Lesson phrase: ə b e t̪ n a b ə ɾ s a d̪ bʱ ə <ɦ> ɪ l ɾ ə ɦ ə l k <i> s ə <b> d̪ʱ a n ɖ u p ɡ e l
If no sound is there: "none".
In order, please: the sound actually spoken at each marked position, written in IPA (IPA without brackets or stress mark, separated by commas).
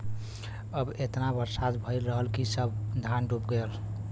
none, i, b